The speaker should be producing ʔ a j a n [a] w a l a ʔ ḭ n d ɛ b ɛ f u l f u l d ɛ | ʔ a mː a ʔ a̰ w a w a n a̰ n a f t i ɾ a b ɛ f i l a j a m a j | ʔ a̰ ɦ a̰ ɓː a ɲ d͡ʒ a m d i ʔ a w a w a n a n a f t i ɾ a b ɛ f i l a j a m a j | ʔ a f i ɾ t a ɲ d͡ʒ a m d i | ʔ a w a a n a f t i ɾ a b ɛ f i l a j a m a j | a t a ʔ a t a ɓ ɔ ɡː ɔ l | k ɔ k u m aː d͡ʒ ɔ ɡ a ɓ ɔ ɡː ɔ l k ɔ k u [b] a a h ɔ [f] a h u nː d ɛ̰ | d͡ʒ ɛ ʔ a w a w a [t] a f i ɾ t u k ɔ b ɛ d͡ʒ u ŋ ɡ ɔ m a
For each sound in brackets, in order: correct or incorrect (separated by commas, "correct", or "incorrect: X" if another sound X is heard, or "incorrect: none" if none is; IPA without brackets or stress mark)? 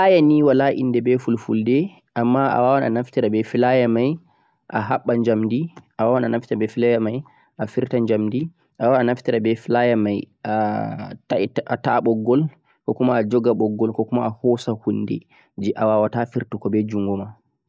incorrect: i, incorrect: m, incorrect: s, correct